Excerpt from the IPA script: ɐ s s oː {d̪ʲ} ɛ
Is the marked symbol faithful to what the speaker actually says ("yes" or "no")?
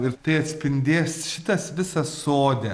yes